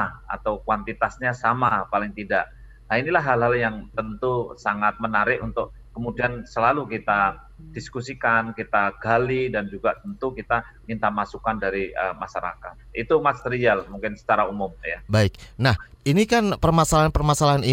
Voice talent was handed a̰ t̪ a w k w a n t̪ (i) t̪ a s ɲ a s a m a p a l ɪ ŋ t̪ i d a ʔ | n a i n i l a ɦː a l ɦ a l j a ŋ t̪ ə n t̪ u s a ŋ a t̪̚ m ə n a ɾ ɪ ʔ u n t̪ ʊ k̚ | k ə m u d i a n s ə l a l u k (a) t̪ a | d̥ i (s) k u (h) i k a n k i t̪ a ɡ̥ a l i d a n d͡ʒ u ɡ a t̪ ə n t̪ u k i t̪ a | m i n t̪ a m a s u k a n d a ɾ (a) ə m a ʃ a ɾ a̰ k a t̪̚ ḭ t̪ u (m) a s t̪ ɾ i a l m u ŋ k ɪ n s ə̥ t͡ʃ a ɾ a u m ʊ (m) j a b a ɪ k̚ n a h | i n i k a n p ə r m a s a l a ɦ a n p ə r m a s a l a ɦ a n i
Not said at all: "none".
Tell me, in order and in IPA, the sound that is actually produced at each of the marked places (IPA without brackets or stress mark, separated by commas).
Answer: i, i, s, s, i, m, m